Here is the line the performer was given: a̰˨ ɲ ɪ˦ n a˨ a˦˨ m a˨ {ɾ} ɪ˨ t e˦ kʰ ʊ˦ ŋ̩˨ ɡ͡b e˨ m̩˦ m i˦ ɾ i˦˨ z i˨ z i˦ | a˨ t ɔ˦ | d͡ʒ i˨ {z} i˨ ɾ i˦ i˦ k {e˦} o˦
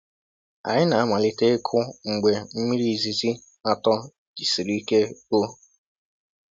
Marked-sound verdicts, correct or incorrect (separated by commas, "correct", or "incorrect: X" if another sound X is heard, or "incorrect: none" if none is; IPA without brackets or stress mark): incorrect: l, incorrect: s, correct